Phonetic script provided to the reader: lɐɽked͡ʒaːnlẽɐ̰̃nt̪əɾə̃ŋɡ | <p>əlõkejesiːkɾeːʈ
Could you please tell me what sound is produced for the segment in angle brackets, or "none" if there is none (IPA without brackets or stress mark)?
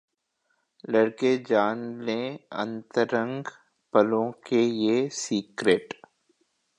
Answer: p